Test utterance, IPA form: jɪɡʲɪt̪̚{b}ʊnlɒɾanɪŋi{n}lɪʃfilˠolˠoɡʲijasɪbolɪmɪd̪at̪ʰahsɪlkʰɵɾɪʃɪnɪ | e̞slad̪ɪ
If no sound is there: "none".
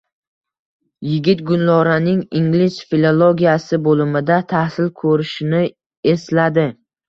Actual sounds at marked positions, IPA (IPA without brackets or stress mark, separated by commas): ɡ, ŋ